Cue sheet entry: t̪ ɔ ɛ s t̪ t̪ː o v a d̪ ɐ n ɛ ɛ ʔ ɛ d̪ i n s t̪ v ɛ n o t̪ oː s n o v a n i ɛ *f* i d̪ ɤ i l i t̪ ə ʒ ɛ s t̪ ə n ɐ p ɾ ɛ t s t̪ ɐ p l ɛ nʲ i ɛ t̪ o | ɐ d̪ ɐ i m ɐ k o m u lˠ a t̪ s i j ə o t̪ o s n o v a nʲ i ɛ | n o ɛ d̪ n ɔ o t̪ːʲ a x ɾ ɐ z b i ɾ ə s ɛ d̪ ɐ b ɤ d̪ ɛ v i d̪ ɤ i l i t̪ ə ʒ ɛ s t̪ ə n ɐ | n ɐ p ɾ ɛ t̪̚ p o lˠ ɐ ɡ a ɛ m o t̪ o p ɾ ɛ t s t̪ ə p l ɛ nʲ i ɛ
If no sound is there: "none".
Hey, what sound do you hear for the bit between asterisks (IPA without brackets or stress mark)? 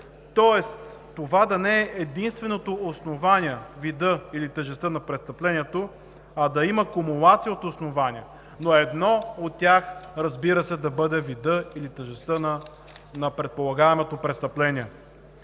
v